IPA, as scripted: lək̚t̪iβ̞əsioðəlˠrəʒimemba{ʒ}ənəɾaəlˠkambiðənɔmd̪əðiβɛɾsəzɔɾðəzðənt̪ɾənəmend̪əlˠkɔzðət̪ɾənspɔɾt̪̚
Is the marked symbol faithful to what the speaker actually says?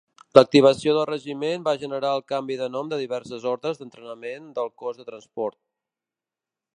yes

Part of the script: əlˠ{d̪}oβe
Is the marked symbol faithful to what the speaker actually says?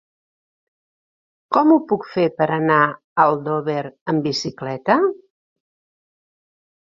yes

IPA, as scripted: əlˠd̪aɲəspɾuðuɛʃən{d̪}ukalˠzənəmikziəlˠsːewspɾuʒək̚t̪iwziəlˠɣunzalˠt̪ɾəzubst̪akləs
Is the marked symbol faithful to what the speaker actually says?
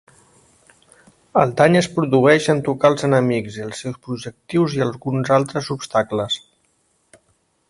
no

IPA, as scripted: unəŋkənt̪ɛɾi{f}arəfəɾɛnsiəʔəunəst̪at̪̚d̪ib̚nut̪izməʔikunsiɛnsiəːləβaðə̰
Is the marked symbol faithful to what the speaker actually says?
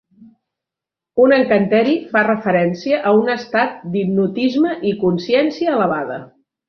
yes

